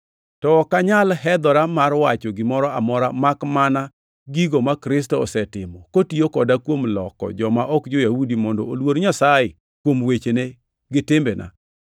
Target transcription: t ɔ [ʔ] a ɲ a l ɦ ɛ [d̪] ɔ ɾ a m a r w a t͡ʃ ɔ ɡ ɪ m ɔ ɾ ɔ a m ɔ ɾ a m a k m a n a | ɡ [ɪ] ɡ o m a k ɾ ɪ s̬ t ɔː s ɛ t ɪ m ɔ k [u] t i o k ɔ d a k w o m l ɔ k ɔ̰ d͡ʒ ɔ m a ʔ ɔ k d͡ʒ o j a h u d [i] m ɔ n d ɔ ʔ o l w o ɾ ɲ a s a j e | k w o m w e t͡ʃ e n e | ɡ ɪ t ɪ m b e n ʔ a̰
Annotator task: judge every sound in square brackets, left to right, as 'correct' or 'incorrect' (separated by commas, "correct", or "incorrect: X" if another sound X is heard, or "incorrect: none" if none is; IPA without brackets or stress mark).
incorrect: k, correct, incorrect: i, incorrect: o, correct